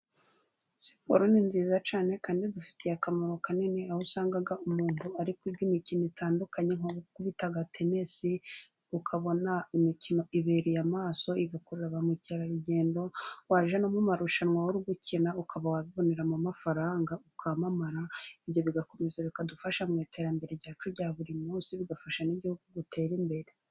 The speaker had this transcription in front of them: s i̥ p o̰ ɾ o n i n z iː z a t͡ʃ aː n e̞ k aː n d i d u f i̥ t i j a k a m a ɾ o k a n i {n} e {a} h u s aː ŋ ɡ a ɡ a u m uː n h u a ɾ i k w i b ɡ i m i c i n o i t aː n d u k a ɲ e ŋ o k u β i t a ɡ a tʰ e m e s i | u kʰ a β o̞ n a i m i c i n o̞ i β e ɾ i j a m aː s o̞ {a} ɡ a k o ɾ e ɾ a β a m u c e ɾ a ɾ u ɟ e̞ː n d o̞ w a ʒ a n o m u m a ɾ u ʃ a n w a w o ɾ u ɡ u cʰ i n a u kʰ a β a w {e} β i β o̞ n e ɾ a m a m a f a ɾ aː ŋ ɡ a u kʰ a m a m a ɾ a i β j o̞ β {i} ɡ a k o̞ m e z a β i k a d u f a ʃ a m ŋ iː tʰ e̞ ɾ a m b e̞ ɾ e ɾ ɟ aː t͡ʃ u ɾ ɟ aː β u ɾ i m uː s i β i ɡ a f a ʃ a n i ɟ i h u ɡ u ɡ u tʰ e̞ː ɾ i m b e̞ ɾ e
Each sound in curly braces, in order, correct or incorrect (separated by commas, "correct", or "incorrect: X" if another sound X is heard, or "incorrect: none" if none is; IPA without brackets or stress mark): correct, correct, incorrect: i, incorrect: a, correct